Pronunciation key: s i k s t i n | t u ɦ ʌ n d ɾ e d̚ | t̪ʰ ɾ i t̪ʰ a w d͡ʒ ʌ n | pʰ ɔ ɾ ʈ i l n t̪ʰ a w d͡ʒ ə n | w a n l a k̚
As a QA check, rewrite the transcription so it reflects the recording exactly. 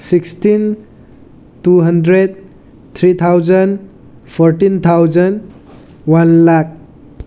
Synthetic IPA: s i k s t i n | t u ɦ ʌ n d ɾ e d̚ | t̪ʰ ɾ i t̪ʰ a w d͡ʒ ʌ n | pʰ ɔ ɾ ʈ i n t̪ʰ a w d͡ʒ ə n | w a n l a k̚